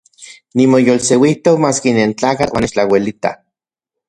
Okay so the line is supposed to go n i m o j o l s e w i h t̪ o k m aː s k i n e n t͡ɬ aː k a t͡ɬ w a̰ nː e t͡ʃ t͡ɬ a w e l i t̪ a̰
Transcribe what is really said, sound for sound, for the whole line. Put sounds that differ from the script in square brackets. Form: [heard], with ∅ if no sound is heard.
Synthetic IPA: n i m o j o l s e w i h t̪ o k m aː s k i n e n t͡ɬ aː k a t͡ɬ w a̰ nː e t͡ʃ t͡ɬ a w e l i t̪ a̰